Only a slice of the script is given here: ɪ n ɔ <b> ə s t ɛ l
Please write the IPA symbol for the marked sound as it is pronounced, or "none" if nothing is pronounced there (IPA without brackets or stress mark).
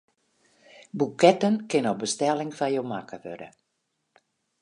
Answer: b